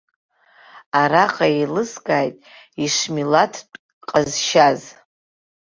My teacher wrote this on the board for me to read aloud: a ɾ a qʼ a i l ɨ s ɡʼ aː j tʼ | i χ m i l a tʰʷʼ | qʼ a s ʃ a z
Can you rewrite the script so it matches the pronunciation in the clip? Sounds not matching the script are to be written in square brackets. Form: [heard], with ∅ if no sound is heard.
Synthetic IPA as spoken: a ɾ a qʼ a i l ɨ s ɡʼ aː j tʼ | i [ʂ] m i l a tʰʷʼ | qʼ a [z] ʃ a z